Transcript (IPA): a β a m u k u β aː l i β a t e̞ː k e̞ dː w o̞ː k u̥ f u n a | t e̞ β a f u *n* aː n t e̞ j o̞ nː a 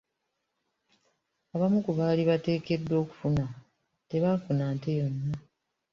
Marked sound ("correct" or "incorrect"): correct